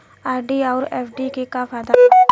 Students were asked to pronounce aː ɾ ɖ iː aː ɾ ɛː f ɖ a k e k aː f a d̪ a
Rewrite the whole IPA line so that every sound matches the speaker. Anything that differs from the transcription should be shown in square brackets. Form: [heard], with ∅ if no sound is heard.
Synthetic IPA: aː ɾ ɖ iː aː ɾ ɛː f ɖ [i] k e k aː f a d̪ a